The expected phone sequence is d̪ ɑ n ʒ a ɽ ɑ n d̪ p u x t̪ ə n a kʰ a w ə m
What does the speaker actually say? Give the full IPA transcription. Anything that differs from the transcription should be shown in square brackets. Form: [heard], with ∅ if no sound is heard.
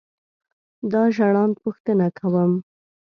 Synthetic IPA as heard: d̪ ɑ [∅] ʒ a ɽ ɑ n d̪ p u x t̪ ə n a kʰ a w ə m